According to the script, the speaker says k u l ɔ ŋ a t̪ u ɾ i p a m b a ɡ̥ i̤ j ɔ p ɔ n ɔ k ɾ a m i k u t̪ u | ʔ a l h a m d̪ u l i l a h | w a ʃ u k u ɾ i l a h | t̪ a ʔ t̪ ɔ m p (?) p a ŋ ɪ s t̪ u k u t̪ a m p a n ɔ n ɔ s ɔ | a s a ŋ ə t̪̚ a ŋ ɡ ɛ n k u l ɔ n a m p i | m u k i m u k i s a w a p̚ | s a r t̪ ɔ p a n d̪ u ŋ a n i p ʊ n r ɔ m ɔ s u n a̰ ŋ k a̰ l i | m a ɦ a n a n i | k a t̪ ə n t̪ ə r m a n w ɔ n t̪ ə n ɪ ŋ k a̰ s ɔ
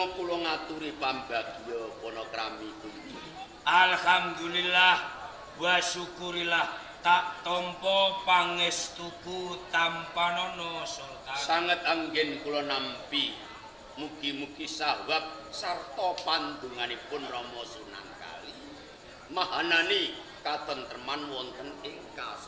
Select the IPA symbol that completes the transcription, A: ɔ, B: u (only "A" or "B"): A